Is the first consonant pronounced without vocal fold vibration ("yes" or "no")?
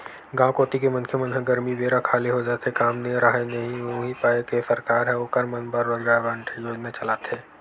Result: no